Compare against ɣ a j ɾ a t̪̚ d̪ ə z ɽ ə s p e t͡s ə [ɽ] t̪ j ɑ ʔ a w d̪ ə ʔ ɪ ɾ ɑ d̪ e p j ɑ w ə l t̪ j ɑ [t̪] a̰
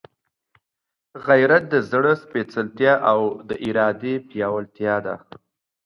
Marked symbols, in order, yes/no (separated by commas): no, no